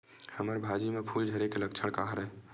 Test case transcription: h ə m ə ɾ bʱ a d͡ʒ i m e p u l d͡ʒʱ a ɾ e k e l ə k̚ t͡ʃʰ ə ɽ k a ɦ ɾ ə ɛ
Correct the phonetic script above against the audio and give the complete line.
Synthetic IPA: h ə m ə ɾ bʱ a d͡ʒ i m e pʰ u l d͡ʒʱ ə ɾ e k e l ə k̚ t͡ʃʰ ə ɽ k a ɦ ɾ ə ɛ